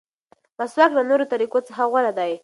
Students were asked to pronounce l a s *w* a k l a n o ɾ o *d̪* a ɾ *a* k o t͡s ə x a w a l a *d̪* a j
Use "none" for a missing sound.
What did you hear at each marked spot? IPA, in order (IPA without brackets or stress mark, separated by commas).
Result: w, t̪, i, d̪